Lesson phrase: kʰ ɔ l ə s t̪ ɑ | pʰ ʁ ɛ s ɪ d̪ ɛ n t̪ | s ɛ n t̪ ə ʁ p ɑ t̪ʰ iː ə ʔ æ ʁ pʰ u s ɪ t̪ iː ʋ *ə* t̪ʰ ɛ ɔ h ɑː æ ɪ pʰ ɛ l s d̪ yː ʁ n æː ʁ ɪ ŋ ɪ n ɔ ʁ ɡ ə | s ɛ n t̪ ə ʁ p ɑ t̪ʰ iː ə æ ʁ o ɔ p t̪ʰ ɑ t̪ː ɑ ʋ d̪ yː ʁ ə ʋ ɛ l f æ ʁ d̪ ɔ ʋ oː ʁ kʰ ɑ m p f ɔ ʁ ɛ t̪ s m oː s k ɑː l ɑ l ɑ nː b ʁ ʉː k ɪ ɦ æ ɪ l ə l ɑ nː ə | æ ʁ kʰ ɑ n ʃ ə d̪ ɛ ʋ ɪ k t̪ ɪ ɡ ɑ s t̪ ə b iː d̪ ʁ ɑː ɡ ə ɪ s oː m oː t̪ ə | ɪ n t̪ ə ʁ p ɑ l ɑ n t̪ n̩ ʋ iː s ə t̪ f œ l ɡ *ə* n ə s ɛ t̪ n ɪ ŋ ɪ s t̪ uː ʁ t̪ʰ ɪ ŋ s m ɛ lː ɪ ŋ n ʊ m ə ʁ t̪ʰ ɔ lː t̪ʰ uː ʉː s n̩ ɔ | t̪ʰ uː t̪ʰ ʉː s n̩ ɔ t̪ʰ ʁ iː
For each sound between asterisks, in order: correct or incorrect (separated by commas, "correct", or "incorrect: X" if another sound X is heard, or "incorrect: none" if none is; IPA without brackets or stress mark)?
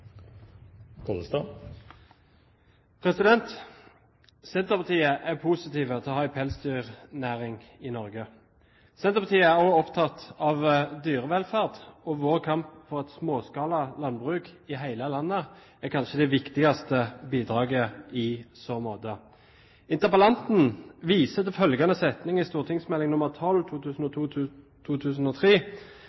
correct, incorrect: ɑ